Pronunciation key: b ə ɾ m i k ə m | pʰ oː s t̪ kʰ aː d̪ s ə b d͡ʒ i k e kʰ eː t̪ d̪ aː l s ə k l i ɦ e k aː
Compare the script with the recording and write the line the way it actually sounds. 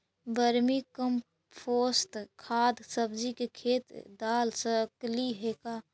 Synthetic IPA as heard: b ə ɾ m i k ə m | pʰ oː s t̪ kʰ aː d̪ s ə b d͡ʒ i k e kʰ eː t̪ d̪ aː l s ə k l i ɦ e k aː